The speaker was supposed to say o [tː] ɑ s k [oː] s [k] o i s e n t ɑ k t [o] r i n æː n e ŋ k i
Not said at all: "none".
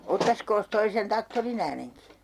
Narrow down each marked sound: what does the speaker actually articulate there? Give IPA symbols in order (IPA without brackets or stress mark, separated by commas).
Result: tː, oː, t, o